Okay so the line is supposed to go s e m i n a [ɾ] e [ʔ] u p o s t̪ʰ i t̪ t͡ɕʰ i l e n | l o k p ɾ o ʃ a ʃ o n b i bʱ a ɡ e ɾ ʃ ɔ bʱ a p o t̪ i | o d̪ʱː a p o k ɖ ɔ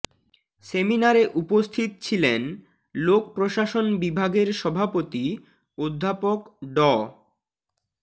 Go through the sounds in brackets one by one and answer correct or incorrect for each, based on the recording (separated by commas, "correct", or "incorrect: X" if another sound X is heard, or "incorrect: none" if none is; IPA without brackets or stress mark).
correct, correct